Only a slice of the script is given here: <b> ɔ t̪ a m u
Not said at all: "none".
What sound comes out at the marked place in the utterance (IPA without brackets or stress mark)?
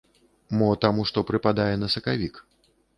m